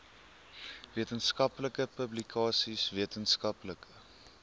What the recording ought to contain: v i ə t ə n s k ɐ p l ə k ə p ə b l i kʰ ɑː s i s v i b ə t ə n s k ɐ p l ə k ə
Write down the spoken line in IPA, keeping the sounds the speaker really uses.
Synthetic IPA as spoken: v i ə t ə n s k ɐ p l ə k ə p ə b l i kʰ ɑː s i s v i ə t ə n s k ɐ p l ə k ə